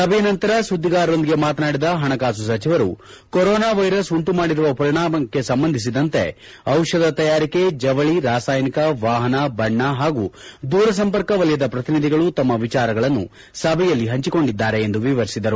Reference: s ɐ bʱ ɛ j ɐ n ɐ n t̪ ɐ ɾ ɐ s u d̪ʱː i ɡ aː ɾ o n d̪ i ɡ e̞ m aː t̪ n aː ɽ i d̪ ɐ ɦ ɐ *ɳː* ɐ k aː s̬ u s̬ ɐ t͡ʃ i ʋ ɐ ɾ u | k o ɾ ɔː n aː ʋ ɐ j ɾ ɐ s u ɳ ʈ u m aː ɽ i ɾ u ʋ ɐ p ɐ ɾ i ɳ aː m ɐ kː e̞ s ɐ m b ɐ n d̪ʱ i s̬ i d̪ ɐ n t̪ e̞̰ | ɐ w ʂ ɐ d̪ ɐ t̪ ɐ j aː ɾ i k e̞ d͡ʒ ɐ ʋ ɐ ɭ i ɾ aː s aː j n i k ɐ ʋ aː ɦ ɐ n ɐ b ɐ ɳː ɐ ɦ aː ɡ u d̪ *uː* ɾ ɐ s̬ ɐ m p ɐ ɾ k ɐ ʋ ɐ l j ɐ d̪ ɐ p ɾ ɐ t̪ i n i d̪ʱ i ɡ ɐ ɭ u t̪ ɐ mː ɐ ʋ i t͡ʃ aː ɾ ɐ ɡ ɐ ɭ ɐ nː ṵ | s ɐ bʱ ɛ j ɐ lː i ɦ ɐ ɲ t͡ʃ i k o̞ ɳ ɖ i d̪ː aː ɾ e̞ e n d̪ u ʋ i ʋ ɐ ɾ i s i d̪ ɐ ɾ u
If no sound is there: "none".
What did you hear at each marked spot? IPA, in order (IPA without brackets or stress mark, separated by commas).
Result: ɳ, uː